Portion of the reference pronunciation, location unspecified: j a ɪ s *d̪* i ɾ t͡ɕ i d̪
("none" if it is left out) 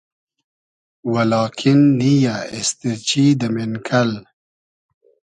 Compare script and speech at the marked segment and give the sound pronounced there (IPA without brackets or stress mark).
t̪